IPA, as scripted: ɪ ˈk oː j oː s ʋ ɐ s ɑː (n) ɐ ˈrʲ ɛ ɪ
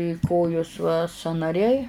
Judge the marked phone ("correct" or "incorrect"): correct